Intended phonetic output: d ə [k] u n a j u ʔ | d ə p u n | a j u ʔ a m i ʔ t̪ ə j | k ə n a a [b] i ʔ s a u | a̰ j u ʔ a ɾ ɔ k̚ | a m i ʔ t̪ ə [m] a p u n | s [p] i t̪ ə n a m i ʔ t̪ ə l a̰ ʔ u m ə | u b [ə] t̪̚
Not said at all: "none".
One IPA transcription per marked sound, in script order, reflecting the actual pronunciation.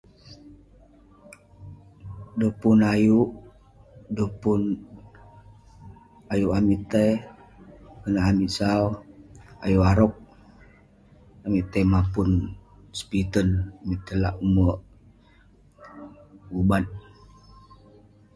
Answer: p, m, m, p, a

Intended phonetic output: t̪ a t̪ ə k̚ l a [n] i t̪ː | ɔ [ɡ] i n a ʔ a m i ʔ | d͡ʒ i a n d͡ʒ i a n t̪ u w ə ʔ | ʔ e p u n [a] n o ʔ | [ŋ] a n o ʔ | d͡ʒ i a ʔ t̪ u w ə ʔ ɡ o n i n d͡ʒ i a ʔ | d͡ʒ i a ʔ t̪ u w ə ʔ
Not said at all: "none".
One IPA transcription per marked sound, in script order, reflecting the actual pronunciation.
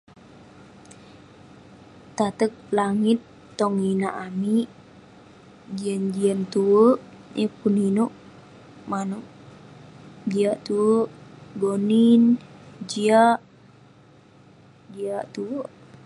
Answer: ŋ, ŋ, i, m

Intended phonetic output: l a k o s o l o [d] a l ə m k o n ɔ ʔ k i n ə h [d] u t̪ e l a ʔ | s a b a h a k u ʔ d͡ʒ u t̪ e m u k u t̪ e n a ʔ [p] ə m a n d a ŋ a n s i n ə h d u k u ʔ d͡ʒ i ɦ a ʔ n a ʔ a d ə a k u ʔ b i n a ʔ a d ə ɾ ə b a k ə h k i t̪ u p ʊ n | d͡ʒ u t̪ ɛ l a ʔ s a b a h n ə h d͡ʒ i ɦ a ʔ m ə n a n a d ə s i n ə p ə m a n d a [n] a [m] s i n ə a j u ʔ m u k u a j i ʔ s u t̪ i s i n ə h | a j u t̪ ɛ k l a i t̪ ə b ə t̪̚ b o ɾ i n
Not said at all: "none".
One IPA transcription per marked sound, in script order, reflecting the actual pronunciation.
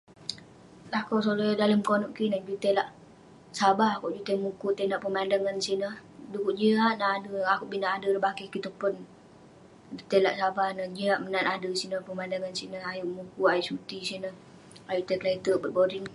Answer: d, d͡ʒ, p, ŋ, n

